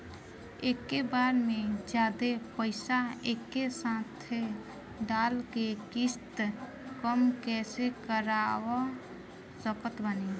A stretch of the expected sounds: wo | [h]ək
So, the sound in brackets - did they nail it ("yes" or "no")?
no